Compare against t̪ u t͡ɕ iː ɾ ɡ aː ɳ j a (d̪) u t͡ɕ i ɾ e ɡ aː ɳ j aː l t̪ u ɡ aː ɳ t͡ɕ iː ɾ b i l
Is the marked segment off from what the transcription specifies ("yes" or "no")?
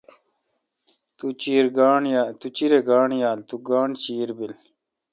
yes